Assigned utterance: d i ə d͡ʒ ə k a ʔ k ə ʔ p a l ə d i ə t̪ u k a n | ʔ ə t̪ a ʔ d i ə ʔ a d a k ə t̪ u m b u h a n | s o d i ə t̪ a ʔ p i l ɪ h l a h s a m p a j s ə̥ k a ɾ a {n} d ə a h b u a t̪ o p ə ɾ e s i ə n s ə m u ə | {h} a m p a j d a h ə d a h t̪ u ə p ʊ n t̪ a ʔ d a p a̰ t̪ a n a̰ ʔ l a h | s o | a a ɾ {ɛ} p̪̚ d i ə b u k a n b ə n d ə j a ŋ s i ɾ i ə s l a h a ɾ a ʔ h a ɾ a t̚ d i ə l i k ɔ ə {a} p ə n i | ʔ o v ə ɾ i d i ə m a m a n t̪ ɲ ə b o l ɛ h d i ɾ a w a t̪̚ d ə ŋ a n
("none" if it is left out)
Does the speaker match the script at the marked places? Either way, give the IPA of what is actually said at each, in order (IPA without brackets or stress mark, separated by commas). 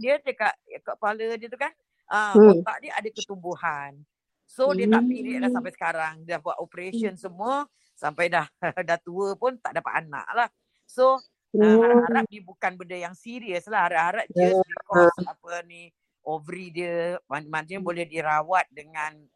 ŋ, s, a, a